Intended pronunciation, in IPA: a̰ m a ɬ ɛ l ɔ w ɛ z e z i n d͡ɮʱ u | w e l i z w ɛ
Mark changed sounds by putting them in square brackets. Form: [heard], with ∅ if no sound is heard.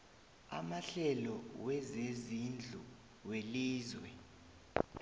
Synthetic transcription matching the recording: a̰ m a ɬ ɛ l ɔ w ɛ z e z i n d͡ɮʱ u | w e l [iː] z w ɛ